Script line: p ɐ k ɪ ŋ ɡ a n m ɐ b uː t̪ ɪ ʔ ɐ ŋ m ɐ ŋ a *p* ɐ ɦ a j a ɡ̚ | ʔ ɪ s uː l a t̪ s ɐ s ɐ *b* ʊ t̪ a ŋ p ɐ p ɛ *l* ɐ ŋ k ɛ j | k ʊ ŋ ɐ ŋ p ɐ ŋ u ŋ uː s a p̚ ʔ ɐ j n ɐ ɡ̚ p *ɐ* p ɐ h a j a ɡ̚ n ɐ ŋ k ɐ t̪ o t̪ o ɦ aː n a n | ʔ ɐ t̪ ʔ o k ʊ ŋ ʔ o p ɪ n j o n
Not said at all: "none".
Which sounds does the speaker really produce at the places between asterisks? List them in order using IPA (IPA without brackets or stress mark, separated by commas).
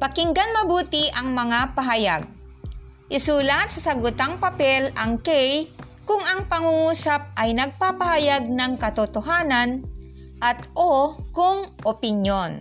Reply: p, ɡ, l, a